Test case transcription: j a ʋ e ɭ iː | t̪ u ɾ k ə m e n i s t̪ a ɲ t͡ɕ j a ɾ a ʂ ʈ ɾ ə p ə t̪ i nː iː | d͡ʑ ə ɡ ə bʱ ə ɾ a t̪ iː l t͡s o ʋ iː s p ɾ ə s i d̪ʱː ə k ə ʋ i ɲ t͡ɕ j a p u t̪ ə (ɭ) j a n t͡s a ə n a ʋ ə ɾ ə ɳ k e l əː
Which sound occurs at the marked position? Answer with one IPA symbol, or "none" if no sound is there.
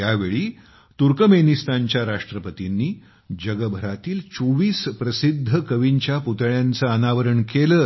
ɭ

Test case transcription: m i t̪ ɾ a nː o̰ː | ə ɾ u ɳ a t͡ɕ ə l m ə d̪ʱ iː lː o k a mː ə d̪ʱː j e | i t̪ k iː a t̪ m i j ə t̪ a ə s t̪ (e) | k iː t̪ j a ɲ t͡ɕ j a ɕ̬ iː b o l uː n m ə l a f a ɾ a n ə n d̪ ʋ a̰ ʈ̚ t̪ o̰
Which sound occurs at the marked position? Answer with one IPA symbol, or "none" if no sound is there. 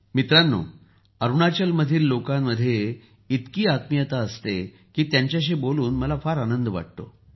e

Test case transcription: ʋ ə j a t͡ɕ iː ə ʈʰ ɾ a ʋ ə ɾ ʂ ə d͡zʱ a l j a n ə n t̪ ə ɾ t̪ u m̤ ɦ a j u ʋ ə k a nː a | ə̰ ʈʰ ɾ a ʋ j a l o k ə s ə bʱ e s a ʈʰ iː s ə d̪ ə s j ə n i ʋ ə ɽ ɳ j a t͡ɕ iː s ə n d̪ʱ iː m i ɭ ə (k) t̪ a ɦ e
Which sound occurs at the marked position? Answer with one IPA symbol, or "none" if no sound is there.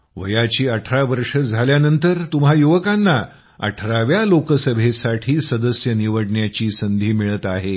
none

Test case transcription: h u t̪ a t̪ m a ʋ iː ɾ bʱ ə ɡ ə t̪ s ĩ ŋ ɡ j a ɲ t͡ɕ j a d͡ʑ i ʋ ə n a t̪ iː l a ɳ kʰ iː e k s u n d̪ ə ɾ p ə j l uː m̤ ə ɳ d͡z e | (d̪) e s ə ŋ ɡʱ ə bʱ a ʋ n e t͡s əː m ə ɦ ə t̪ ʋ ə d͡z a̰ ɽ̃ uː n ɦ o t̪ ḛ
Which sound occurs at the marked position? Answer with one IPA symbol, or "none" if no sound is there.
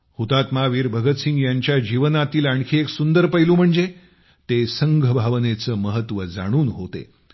t̪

